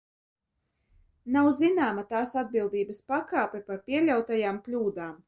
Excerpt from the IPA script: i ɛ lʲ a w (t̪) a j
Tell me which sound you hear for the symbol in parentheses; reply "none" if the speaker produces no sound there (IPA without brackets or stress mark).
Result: t̪